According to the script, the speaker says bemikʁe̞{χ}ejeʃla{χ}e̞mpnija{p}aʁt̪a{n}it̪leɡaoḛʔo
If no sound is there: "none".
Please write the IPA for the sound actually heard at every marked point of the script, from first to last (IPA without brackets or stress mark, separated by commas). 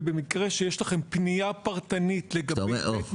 ʃ, χ, p, n